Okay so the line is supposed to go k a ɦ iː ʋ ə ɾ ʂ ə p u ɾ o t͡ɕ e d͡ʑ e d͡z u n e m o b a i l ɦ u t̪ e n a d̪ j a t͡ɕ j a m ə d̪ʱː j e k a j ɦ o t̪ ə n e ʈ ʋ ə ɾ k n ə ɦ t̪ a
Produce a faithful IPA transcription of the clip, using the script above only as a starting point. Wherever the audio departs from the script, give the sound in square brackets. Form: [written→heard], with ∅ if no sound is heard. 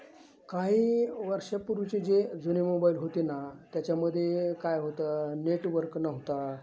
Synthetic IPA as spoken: k a ɦ iː ʋ ə ɾ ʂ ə p u ɾ [o→u] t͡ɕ e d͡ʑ e d͡z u n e m o b a i l ɦ [u→o] t̪ e n a [d̪→t̪] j a t͡ɕ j a m ə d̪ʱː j e k a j ɦ o t̪ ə n e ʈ ʋ ə ɾ k n ə ɦ t̪ a